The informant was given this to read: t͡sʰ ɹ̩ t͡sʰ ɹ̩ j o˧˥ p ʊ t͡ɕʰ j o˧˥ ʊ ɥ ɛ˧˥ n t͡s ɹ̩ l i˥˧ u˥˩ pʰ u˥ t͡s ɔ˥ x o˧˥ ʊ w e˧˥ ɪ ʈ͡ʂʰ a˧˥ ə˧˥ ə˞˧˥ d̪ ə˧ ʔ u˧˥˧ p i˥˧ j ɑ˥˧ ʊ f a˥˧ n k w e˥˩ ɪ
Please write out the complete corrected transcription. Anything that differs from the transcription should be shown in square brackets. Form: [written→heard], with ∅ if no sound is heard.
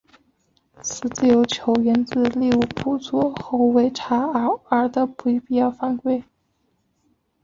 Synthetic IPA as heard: t͡sʰ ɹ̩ [t͡sʰ→t͡s] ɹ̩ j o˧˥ [p→∅] ʊ t͡ɕʰ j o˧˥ ʊ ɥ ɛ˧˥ n t͡s ɹ̩ l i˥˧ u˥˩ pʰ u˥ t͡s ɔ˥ x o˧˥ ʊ w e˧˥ ɪ ʈ͡ʂʰ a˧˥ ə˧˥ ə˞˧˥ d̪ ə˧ [ʔ→p] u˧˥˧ p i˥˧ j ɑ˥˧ ʊ f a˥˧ n k w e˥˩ ɪ